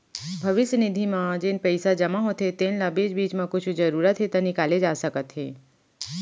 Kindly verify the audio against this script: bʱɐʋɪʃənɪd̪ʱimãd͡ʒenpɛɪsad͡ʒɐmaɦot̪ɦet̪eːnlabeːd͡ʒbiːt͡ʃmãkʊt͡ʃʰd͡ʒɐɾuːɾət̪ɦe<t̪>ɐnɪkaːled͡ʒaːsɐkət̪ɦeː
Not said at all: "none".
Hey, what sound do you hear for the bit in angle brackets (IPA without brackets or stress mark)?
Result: t̪